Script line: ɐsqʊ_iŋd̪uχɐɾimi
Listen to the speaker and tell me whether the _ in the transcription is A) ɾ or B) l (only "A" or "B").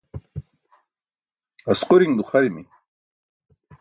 A